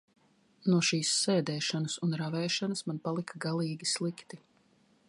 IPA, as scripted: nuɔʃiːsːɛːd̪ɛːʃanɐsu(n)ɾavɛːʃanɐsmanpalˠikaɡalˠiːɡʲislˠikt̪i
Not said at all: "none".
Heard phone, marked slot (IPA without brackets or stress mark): n